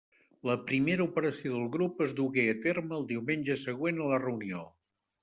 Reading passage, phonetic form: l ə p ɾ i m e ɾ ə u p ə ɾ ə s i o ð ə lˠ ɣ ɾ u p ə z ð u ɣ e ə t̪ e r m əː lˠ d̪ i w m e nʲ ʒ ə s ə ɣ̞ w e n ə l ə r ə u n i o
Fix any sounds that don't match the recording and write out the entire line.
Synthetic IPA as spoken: l ə p ɾ i m e ɾ ə u p ə ɾ ə s i o ð ə lˠ ɣ ɾ u p ə z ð u ɣ e ə t̪ e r m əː lˠ d̪ i w m e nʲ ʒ ə s ə ɣ̞ w e n ə l ə r ə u n i o